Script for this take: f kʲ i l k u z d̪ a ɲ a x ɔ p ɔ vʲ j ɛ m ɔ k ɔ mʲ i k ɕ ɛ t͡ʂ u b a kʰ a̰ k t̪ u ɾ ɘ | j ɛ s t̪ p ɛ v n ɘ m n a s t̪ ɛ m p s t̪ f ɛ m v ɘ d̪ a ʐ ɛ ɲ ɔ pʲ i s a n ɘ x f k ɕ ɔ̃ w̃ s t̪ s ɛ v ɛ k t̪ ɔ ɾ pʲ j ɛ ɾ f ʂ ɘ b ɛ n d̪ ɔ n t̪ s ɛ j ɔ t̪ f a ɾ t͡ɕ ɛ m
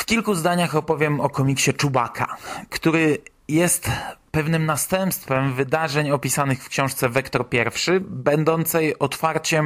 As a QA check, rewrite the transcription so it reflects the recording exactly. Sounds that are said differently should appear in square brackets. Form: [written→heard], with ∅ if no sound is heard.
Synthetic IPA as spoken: f kʲ i l k u z d̪ a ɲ a x ɔ p ɔ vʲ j ɛ m ɔ k ɔ mʲ i k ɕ ɛ t͡ʂ u b a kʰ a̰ k t̪ u ɾ ɘ | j ɛ s t̪ p ɛ v n ɘ m n a s t̪ ɛ m p s t̪ f ɛ m v ɘ d̪ a ʐ ɛ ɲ ɔ pʲ i s a n ɘ x f k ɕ ɔ̃ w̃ [s→ʂ] t̪ s ɛ v ɛ k t̪ ɔ ɾ pʲ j ɛ ɾ f ʂ ɘ b ɛ n d̪ ɔ n t̪ s ɛ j ɔ t̪ f a ɾ t͡ɕ ɛ m